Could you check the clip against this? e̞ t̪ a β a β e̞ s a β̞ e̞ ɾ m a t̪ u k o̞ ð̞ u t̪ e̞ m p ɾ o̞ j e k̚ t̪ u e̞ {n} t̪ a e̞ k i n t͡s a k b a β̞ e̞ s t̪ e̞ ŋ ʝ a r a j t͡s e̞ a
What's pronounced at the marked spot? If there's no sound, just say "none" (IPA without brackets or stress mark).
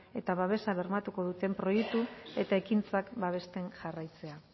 none